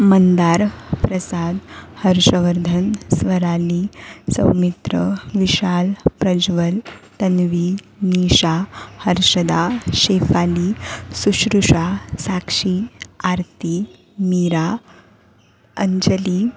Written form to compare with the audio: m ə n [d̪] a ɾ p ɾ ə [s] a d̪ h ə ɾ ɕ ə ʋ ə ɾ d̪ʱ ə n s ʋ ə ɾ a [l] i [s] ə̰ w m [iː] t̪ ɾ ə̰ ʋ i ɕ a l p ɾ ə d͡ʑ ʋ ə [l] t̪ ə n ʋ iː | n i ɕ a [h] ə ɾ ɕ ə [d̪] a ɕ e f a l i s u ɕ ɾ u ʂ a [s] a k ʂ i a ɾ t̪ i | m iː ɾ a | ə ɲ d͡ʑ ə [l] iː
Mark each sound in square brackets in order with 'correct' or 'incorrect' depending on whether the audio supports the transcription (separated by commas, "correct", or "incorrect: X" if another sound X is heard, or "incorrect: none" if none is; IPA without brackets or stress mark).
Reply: correct, correct, correct, correct, incorrect: i, correct, correct, correct, correct, correct